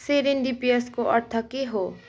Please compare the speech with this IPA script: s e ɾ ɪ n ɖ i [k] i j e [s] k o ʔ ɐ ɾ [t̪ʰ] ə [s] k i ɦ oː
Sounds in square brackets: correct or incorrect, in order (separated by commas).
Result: incorrect, correct, correct, incorrect